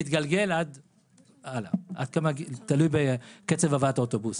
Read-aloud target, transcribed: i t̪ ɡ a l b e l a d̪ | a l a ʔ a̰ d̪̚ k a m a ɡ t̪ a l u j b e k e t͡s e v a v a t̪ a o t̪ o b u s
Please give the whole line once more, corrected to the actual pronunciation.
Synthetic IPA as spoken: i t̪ ɡ a l ɡ e l a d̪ | a l a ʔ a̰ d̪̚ k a m a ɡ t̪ a l u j b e k e t͡s e v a v a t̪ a o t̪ o b u s